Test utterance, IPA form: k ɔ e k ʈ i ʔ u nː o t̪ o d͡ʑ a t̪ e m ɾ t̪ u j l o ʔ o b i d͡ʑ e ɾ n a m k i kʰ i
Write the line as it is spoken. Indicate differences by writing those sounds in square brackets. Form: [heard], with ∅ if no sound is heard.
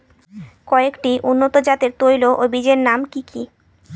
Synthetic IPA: k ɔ e k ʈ i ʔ u nː o t̪ o d͡ʑ a t̪ e [∅] ɾ t̪ [o] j l o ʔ o b i d͡ʑ e ɾ n a m k i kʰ i